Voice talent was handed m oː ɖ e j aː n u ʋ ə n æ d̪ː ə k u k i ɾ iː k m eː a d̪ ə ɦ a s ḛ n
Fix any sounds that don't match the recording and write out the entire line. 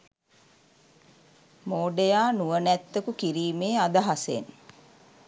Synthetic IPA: m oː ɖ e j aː n u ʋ ə n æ t̪ː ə k u k i ɾ iː m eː a d̪ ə ɦ a s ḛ n